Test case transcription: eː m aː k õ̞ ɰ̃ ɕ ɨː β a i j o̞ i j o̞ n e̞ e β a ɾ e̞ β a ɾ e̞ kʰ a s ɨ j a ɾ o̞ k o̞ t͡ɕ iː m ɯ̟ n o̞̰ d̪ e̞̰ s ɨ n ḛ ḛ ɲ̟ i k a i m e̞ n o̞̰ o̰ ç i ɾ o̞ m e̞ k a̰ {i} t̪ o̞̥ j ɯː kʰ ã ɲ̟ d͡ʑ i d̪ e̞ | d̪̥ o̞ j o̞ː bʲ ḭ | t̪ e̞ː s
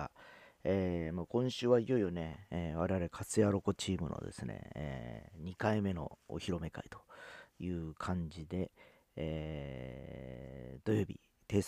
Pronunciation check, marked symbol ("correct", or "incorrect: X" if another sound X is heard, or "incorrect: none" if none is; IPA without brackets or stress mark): correct